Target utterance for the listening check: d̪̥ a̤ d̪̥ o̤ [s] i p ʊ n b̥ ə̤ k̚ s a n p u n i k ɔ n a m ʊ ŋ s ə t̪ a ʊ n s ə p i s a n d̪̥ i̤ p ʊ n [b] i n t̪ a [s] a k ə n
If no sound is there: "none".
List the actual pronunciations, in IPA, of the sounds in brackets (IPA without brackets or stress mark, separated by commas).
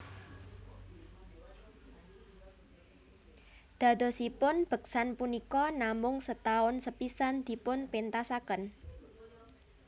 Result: s, p, s